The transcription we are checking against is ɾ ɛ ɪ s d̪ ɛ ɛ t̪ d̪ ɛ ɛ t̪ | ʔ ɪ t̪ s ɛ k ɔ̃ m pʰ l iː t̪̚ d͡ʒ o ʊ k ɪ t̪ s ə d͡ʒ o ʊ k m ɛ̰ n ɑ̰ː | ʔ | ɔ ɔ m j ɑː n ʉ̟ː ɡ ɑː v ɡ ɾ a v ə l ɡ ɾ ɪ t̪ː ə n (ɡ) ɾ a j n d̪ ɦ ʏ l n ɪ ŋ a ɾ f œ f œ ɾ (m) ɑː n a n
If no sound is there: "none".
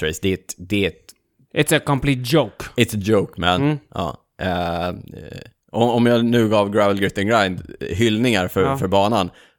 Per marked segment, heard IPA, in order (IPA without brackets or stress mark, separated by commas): ɡ, b